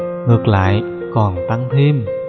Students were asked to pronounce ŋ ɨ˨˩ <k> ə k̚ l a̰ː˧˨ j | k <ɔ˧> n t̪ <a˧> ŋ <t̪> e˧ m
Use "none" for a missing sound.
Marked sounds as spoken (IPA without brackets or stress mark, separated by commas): none, ɔ˨˩, a˧, t̪ʰ